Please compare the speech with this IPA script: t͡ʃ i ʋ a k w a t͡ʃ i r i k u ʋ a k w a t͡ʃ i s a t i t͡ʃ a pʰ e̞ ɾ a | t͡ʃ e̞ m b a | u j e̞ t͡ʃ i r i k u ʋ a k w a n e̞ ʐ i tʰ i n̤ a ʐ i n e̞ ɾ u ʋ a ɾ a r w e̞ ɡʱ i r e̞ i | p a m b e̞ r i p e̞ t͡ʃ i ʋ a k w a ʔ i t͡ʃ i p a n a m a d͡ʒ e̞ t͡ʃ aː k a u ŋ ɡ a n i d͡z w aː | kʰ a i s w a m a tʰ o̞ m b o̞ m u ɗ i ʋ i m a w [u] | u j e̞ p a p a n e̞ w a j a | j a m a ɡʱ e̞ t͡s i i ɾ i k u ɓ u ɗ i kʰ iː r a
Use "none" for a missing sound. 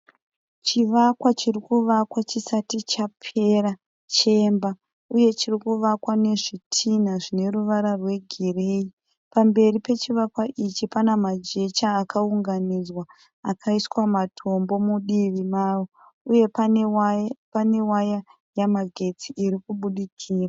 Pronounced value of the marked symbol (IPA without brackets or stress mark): o